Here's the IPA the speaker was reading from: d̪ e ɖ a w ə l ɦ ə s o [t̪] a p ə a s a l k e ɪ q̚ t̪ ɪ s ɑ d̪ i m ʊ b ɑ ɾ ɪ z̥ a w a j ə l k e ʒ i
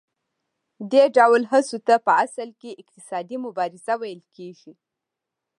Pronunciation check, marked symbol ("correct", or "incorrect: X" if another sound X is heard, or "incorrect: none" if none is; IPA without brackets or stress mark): correct